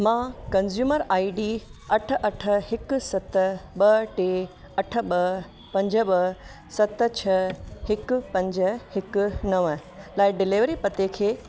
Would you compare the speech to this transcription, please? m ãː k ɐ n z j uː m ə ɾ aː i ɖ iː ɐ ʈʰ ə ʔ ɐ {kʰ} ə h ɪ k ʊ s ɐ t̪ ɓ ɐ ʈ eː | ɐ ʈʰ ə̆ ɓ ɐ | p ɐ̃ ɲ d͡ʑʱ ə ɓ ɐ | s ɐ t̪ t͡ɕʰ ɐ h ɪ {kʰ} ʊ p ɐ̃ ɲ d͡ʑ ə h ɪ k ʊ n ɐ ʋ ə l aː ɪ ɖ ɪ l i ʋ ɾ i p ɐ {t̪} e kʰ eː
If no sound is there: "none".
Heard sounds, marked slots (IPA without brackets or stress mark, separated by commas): ʈʰ, k, t̪